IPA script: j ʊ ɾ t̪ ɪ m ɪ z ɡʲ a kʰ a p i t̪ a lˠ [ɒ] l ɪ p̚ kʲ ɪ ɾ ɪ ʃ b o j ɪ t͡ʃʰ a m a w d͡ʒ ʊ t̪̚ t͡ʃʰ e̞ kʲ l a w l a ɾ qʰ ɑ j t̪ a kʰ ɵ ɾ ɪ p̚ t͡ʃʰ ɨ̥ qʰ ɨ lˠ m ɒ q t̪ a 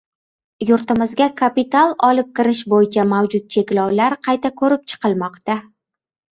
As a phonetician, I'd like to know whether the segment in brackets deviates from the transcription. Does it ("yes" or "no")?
no